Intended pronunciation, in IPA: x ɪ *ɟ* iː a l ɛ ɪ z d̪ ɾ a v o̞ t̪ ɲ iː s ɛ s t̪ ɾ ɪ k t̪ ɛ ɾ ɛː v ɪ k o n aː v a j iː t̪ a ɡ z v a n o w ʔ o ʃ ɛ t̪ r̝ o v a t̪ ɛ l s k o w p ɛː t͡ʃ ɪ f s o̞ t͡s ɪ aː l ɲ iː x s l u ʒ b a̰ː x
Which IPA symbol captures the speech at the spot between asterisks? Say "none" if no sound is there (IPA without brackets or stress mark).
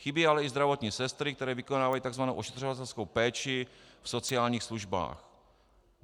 b